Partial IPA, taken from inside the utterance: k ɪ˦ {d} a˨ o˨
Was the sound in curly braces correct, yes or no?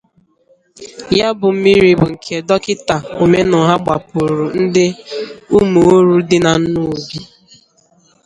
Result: no